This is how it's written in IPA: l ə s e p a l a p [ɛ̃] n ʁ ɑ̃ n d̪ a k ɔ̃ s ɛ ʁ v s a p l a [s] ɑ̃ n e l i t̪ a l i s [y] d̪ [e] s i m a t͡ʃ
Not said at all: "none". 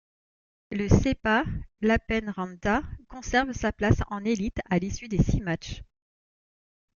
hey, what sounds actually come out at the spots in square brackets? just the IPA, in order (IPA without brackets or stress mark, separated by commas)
ɛ, s, y, e